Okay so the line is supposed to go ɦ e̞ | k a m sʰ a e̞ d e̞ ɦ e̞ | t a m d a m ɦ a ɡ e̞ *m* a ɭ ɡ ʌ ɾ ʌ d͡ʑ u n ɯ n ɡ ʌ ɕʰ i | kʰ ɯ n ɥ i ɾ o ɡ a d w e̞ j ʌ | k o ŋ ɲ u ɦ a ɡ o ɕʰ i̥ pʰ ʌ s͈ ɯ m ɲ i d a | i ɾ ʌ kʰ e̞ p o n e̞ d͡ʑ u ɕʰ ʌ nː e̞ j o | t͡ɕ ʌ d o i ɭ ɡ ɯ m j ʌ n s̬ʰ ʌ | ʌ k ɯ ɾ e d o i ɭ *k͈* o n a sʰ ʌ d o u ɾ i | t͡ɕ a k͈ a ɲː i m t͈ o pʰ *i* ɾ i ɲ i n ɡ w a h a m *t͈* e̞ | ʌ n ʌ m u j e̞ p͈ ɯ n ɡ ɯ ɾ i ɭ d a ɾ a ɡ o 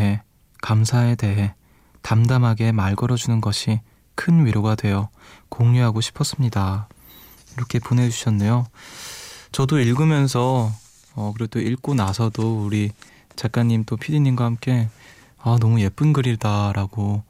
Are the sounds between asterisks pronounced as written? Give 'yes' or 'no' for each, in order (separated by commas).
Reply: yes, yes, yes, no